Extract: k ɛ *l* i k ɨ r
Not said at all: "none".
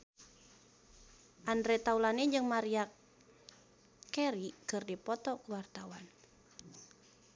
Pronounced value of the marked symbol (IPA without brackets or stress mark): ɾ